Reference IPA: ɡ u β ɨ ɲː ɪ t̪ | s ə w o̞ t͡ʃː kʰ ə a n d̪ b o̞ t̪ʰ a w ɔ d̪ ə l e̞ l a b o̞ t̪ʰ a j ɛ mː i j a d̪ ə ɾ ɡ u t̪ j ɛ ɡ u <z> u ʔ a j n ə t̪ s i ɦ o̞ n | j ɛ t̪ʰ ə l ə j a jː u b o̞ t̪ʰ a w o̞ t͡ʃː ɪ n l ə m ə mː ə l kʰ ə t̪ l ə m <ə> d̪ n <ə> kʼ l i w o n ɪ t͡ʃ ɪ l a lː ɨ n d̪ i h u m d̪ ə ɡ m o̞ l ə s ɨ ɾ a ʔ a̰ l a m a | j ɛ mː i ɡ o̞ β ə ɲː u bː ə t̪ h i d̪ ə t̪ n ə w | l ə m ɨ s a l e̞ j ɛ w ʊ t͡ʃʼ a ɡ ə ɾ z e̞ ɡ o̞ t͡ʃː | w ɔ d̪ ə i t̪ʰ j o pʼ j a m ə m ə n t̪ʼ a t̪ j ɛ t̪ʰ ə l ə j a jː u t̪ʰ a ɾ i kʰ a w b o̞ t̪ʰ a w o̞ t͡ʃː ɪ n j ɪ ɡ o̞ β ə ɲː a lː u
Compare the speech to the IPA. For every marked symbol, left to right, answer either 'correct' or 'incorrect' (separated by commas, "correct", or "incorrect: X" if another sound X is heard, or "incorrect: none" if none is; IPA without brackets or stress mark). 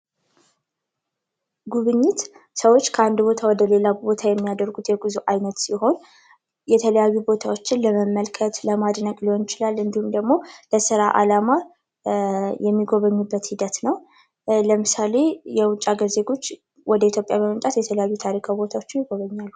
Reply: correct, incorrect: a, correct